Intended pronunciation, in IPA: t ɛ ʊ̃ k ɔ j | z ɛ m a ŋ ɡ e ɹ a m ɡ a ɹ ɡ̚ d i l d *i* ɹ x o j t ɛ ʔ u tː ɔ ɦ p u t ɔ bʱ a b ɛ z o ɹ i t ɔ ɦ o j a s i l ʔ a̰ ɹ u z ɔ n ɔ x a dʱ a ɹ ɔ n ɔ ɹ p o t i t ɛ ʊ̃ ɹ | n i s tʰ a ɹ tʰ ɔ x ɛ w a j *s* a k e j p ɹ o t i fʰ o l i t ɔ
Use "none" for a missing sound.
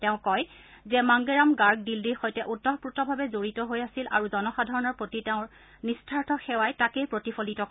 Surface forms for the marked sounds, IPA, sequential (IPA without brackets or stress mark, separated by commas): i, t